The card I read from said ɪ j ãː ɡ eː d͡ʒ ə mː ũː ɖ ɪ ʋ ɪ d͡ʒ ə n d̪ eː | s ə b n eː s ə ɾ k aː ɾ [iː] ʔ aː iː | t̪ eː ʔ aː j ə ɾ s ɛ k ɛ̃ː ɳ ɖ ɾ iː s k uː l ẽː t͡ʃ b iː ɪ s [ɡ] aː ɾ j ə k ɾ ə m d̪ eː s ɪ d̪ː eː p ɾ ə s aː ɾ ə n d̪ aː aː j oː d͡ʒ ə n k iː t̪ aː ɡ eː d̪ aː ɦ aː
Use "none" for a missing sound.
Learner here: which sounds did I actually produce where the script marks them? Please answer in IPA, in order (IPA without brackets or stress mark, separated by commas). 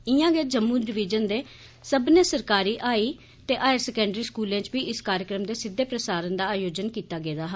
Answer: iː, k